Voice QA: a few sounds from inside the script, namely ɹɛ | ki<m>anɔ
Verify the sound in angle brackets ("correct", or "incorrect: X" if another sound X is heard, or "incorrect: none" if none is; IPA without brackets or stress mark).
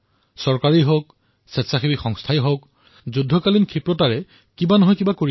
incorrect: b